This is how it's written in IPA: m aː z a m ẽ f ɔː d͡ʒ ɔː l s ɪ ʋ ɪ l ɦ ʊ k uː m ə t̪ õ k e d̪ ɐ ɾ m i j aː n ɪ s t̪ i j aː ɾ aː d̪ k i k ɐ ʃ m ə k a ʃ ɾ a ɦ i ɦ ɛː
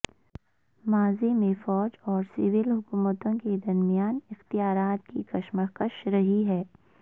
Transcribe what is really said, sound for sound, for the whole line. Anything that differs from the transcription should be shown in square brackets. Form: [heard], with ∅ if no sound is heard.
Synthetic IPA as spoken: m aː z [i] m ẽ f ɔː d͡ʒ ɔː [ɾ] s ɪ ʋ ɪ l ɦ ʊ k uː m ə t̪ õ k e d̪ ɐ ɾ m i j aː n ɪ [x] t̪ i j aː ɾ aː [t̪] k i k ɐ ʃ m ə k [ə] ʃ ɾ [ɐ] ɦ i ɦ ɛː